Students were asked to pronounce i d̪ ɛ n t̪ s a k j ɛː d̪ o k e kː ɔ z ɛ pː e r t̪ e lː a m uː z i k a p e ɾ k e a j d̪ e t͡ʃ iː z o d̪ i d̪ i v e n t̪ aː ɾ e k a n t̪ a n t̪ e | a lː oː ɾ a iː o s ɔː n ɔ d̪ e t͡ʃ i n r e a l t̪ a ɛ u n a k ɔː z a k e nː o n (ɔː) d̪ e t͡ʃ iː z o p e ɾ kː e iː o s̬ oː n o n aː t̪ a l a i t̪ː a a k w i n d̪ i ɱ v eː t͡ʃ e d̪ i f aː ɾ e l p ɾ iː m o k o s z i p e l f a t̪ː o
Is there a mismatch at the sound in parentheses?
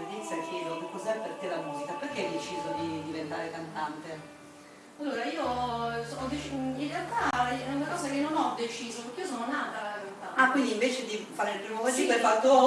yes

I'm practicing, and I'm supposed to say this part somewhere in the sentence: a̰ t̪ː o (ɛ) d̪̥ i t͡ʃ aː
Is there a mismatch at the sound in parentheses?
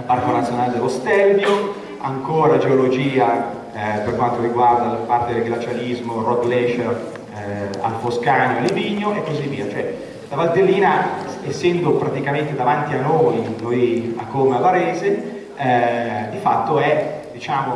no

